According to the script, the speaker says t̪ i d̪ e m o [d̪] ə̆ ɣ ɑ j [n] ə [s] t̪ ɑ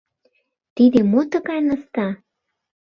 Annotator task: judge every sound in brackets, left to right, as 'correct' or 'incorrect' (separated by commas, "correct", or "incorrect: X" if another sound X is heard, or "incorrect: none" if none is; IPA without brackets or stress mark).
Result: incorrect: t̪, correct, correct